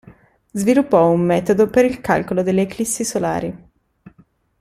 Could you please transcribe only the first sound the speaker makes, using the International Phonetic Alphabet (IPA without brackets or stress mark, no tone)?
z